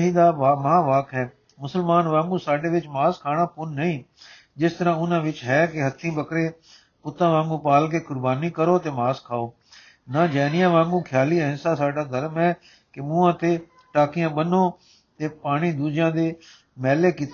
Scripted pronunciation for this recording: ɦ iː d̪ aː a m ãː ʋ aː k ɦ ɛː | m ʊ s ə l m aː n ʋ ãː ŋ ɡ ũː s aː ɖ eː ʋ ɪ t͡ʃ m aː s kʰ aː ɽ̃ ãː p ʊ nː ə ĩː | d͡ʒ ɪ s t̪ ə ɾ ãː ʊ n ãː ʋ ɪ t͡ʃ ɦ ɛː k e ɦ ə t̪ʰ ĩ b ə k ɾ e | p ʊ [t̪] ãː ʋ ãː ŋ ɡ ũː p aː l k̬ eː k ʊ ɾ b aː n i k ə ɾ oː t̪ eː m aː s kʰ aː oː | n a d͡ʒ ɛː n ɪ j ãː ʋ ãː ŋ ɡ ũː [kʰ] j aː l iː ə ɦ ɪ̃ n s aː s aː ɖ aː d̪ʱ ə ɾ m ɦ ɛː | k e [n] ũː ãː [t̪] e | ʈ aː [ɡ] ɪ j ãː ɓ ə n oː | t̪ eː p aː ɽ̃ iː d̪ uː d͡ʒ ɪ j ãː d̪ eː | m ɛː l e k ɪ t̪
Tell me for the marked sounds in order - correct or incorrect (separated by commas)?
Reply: correct, correct, incorrect, correct, incorrect